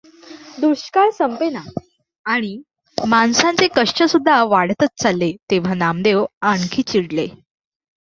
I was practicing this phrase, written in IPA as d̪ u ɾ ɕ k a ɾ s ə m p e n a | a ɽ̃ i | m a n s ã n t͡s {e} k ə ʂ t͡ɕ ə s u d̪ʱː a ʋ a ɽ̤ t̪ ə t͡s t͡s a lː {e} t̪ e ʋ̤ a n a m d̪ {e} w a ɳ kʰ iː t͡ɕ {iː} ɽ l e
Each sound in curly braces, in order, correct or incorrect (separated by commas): correct, correct, correct, incorrect